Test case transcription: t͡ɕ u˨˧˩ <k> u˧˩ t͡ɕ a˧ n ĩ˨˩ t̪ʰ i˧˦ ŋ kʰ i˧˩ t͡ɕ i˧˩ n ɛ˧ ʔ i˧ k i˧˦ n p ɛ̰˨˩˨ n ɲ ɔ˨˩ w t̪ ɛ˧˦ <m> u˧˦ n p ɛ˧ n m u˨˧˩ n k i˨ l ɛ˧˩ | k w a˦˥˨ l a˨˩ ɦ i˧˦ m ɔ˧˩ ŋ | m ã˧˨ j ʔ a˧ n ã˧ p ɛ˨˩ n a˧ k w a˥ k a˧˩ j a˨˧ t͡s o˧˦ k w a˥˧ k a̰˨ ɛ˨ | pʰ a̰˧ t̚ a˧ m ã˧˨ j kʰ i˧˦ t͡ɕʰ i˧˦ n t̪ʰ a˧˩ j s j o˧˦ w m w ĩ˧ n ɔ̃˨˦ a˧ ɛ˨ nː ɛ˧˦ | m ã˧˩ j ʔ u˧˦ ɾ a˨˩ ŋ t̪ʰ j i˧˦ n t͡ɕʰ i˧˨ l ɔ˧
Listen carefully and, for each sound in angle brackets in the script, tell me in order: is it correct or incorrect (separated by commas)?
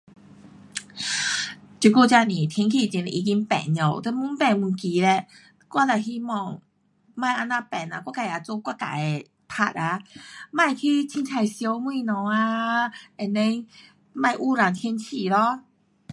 correct, correct